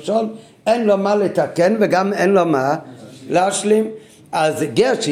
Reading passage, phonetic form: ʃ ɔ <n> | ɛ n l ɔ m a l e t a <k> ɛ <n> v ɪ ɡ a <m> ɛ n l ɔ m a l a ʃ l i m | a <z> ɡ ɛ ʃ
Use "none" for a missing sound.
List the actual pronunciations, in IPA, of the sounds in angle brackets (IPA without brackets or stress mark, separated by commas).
n, k, n, m, z